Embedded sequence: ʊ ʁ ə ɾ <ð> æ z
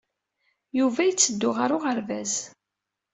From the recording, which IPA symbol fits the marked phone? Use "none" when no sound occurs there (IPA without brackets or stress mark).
v